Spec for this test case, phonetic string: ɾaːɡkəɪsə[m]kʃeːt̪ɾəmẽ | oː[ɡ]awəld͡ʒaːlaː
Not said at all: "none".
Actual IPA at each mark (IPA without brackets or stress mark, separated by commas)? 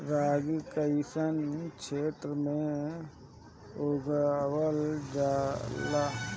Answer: n, ɡ